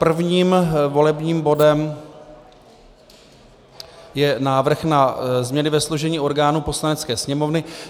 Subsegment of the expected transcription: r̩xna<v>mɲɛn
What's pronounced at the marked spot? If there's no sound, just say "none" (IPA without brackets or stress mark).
z